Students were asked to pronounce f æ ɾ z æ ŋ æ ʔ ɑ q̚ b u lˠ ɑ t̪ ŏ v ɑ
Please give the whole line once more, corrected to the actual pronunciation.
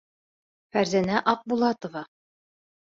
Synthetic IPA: f æ ɾ z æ n æ ʔ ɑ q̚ b u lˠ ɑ t̪ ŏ v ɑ